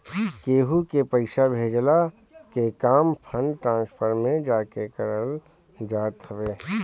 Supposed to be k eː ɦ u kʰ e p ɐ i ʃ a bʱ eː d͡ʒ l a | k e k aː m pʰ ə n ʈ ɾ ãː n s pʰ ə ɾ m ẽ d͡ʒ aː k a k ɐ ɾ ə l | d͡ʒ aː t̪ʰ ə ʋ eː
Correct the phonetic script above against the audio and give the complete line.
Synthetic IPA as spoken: k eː ɦ u k e p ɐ ɪ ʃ a bʱ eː d͡ʒ l a | k e k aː m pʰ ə n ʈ ɾ ãː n s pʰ ə ɾ m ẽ d͡ʒ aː k e k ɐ ɾ ə l | d͡ʒ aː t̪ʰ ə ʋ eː